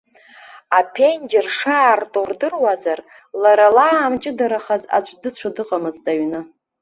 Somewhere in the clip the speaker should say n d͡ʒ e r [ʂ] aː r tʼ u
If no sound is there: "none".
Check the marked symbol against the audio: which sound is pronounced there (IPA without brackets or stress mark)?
ʂ